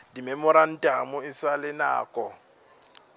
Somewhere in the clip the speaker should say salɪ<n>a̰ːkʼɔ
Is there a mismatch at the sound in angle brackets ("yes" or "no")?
no